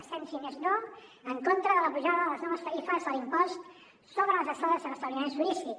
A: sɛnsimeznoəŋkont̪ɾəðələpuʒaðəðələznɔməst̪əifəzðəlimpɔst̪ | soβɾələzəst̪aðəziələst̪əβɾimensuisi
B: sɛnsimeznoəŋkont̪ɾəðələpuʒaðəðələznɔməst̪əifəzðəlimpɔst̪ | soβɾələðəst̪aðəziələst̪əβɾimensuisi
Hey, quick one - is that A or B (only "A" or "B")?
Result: A